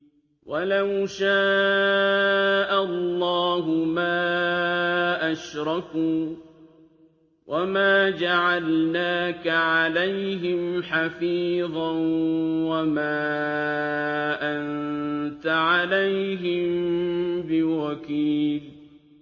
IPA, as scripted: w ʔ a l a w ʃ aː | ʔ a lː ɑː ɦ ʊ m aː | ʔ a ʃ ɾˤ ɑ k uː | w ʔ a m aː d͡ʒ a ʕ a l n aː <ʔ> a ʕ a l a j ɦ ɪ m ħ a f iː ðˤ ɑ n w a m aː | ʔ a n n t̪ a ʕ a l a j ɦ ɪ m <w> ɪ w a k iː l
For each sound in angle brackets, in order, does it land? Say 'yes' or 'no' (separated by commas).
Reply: no, no